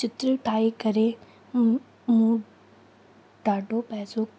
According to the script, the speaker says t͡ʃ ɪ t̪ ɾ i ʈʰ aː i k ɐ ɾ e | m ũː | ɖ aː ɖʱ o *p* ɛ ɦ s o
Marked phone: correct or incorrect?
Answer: correct